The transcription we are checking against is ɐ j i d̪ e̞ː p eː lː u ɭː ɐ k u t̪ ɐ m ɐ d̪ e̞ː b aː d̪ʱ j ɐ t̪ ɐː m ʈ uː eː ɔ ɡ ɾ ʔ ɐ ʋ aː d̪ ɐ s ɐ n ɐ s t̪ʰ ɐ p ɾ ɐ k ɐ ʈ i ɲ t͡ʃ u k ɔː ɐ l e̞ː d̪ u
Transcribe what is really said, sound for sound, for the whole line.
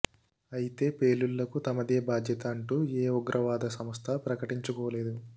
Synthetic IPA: ɐ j i t̪ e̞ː p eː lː u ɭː ɐ k u t̪ ɐ m ɐ d̪ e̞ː b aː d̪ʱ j ɐ t̪ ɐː ɳ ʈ uː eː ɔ ɡ ɾ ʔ ɐ ʋ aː d̪ ɐ s ɐ m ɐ s t̪ʰ ɐ p ɾ ɐ k ɐ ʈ i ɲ t͡ʃ u k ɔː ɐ l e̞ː d̪ u